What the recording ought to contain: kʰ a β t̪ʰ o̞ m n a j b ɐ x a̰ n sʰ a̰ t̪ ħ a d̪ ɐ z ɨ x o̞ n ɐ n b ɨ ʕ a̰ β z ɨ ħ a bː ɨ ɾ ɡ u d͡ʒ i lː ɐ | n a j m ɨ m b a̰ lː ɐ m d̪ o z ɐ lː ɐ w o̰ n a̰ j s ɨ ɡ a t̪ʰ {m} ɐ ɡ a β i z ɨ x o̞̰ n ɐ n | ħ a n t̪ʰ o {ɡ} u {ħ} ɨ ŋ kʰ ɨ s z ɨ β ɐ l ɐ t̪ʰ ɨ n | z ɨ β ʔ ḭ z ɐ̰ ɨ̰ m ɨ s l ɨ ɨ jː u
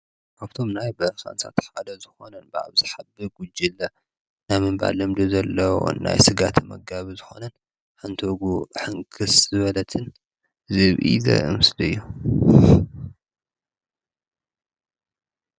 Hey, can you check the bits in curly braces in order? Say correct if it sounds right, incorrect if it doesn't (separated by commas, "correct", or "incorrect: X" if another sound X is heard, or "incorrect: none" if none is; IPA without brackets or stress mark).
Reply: correct, correct, correct